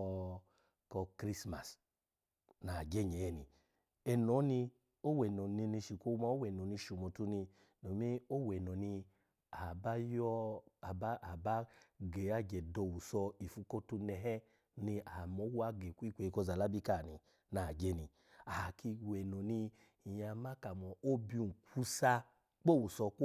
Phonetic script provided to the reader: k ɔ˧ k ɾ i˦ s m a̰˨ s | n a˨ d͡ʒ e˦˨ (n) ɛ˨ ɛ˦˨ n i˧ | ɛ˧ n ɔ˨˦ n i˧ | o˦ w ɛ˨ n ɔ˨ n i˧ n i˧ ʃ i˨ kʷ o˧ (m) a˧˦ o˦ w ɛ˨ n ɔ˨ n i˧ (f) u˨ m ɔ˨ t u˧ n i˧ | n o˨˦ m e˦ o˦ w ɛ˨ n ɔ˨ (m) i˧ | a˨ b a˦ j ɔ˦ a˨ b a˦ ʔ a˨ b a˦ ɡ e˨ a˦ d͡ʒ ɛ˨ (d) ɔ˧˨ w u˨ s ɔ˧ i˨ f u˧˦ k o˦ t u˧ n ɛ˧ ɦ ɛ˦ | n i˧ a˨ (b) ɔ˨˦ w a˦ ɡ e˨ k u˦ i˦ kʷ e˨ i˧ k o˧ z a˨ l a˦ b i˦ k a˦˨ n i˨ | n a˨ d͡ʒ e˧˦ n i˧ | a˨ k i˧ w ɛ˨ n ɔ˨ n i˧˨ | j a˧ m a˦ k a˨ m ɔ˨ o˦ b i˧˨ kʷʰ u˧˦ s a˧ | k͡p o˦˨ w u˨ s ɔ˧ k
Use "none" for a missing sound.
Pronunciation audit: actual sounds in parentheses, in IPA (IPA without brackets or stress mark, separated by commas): ɲ, m, ʃ, n, d, m